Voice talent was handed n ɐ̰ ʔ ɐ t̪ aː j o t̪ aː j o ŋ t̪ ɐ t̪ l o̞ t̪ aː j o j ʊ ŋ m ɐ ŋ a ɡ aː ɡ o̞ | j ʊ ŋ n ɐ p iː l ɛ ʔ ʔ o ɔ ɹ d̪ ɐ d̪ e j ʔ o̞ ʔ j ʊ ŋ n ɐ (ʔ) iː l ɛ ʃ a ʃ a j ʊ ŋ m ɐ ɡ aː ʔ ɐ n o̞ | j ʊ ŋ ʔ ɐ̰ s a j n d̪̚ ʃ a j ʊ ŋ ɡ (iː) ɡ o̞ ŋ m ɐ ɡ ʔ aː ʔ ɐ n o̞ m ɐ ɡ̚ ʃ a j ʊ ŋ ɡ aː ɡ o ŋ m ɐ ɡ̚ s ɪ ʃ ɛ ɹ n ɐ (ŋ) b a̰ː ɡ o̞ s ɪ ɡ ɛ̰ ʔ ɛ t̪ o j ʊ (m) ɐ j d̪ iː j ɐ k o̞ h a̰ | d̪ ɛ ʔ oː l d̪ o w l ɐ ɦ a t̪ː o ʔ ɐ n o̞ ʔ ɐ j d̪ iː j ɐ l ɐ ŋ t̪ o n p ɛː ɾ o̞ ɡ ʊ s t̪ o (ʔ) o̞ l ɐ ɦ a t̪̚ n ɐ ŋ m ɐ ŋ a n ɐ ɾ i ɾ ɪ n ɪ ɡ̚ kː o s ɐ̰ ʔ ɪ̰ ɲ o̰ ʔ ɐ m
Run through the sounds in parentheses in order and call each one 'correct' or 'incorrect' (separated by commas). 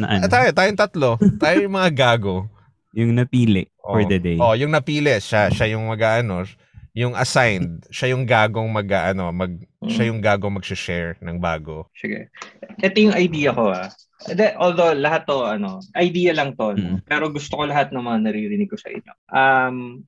incorrect, incorrect, correct, incorrect, incorrect